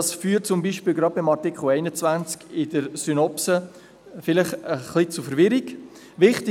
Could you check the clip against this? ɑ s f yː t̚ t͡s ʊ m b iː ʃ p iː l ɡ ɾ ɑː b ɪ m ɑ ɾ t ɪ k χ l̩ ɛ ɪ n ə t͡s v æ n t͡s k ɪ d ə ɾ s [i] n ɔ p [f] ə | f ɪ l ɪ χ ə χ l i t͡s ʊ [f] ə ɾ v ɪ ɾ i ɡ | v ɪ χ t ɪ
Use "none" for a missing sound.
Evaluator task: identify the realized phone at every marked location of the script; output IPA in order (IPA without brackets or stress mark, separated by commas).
y, s, f